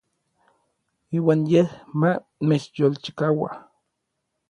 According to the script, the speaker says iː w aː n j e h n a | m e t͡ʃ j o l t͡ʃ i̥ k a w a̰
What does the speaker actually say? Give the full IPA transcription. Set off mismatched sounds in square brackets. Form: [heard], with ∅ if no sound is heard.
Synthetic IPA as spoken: iː w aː n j e h [m] a | m e t͡ʃ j o l t͡ʃ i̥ k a w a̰